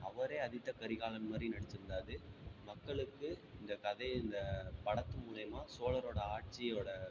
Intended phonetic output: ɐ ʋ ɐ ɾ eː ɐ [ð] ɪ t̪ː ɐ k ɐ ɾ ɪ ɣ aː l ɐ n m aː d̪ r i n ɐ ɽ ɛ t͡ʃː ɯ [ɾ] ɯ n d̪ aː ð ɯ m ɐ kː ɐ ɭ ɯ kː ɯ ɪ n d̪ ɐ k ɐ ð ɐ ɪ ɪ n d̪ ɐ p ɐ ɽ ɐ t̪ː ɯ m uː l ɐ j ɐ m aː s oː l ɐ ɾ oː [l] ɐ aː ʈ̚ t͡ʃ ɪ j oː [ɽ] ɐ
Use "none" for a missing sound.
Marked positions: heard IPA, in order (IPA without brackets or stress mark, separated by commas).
ð, ɾ, ɽ, ɽ